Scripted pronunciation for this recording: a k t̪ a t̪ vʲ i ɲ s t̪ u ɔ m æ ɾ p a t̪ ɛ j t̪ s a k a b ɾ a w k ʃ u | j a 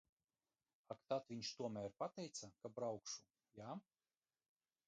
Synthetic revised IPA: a k t̪ a t̪ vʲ i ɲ ʃ t̪ u ɔ m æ ɾ p a t̪ ɛ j t̪ s a k a b ɾ a w k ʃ u | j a